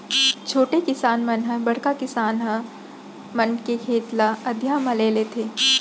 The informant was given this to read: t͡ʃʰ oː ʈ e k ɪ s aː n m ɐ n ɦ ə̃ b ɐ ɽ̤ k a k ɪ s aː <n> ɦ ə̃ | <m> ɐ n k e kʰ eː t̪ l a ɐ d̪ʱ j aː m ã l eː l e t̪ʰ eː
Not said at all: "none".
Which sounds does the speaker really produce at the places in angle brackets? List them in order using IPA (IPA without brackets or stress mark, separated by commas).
n, m